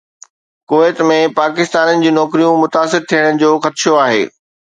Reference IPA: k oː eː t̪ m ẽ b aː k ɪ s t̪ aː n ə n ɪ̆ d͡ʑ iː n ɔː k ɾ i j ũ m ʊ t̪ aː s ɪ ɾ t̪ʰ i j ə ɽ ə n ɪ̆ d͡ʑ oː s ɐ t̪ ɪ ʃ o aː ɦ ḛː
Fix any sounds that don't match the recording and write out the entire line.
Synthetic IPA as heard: k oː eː t̪ m ẽ p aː k ɪ s t̪ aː n ə n ɪ̆ d͡ʑ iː n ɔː k ɾ i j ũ m ʊ t̪ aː s ɪ ɾ t̪ʰ i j ə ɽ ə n ɪ̆ d͡ʑ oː x ɐ t̪ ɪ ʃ o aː ɦ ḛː